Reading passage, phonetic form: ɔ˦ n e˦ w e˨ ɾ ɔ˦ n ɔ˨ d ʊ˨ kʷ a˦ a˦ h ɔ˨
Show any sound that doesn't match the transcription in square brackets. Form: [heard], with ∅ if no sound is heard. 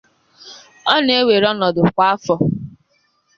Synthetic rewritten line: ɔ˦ n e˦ w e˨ ɾ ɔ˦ n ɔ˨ d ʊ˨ kʷ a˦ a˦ [f] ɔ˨